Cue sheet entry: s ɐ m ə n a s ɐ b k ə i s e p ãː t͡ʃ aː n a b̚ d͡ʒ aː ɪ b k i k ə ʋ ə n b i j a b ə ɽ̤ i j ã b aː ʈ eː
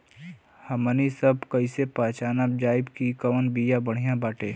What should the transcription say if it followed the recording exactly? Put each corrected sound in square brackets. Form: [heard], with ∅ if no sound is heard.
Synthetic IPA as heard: [h] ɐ m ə n [i] s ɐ b k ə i s e p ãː t͡ʃ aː n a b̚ d͡ʒ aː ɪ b k i k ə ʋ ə n b i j a b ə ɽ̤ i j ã b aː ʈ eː

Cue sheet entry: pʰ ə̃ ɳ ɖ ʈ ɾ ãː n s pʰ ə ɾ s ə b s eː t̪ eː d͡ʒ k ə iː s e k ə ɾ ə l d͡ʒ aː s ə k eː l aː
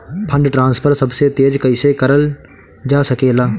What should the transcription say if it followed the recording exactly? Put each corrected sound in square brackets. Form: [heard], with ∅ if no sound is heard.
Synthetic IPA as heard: pʰ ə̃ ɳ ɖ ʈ ɾ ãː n s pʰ ə ɾ s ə b s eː t̪ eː d͡ʒ k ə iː s e k ə ɾ ə l d͡ʒ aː s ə k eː l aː

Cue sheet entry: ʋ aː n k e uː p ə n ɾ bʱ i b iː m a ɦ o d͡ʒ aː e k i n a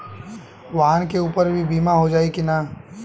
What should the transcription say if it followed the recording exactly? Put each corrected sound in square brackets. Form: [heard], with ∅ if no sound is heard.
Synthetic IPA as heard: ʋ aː n k e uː p ə [∅] ɾ bʱ i b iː m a ɦ o d͡ʒ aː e k i n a

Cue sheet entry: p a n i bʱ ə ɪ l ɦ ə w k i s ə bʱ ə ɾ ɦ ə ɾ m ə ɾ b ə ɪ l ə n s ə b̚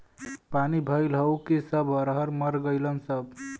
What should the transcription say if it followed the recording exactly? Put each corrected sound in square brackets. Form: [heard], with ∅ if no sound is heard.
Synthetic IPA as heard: p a n i bʱ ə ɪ l ɦ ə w k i s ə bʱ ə ɾ ɦ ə ɾ m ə ɾ [ɡ] ə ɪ l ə n s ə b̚

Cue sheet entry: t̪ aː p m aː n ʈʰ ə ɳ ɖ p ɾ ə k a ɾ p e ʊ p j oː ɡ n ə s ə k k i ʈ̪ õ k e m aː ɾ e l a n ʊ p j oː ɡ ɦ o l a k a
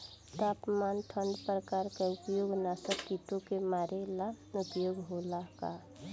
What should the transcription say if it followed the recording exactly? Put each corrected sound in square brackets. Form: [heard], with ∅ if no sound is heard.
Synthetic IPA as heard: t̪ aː p m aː n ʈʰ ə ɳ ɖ p ɾ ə k a ɾ [k] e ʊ p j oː ɡ n [a] s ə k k i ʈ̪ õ k e m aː ɾ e l a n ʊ p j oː ɡ ɦ o l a k a

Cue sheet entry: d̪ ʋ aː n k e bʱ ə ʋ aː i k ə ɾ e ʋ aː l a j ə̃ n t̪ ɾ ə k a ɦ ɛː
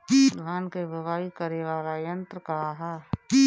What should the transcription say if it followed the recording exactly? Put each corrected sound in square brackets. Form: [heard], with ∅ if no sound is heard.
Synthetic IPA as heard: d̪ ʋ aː n k e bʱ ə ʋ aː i k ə ɾ e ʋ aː l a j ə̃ n t̪ ɾ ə k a ɦ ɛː

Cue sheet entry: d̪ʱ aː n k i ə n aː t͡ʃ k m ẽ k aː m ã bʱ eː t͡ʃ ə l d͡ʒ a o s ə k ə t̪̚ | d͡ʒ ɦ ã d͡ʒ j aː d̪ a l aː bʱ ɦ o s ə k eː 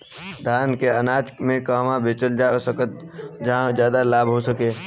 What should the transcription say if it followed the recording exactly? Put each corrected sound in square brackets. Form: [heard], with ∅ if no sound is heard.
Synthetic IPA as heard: d̪ʱ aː n k [e] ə n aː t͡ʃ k m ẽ k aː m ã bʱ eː t͡ʃ ə l d͡ʒ a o s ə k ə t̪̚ | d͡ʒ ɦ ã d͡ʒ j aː d̪ a l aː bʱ ɦ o s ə k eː

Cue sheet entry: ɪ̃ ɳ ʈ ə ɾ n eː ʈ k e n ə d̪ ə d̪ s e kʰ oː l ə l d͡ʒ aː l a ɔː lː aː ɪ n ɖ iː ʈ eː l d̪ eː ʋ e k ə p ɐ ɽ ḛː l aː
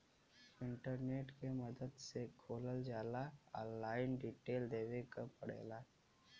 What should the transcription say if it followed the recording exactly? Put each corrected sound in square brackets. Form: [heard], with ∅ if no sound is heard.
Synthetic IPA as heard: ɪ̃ ɳ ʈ ə ɾ n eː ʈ k e [m] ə d̪ ə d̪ s e kʰ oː l ə l d͡ʒ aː l a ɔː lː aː ɪ n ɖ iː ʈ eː l d̪ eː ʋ e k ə p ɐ ɽ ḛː l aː

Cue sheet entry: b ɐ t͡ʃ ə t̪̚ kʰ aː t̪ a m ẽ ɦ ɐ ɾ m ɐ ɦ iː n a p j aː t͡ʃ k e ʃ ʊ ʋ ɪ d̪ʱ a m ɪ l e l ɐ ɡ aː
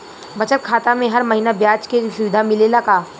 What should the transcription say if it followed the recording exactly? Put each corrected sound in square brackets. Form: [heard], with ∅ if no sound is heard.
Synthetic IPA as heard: b ɐ t͡ʃ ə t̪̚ kʰ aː t̪ a m ẽ ɦ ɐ ɾ m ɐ ɦ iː n a [b] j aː t͡ʃ k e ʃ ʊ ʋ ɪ d̪ʱ a m ɪ l e l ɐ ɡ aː

